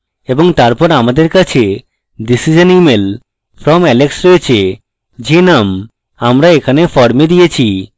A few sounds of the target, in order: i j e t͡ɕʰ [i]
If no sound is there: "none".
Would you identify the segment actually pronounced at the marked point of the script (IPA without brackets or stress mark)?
i